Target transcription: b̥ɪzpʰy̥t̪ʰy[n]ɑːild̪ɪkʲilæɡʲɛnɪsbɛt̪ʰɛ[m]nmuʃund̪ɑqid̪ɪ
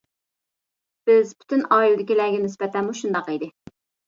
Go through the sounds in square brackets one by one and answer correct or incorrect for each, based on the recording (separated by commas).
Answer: correct, incorrect